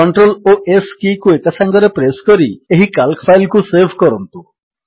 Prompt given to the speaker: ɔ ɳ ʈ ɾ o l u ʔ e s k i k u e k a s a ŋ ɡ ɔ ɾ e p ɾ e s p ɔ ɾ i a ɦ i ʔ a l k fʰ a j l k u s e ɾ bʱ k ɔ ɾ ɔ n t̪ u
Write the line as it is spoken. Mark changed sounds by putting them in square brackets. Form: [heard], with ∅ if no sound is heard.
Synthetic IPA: ɔ ɳ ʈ ɾ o l [o] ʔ e s k i k u e k a s a ŋ ɡ ɔ ɾ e p ɾ e s [k] ɔ ɾ i [e] ɦ i [k] a l k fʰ a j l k u s e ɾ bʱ k ɔ ɾ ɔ n t̪ u